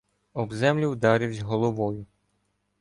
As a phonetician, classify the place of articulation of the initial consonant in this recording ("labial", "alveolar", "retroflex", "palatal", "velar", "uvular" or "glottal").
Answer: labial